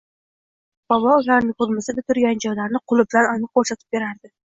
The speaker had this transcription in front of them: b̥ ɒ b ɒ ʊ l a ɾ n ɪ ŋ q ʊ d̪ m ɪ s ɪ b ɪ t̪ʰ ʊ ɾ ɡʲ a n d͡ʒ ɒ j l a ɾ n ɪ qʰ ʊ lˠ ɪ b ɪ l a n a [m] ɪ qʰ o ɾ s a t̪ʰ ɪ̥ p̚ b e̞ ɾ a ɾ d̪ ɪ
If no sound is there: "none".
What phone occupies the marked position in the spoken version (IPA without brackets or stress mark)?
n